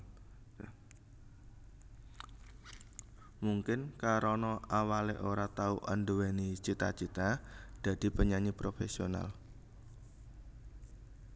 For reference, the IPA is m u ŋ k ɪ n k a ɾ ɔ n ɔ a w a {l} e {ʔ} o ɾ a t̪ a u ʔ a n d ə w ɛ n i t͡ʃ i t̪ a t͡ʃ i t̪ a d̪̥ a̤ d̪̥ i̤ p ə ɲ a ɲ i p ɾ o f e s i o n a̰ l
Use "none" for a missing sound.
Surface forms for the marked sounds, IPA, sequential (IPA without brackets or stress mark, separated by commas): l, ʔ